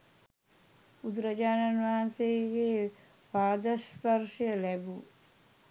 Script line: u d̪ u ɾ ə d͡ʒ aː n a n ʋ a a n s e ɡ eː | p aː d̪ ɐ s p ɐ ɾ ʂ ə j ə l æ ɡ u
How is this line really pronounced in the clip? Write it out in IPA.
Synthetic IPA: u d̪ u ɾ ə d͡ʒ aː n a n ʋ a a n s e ɡ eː | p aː d̪ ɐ s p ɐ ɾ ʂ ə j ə l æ b u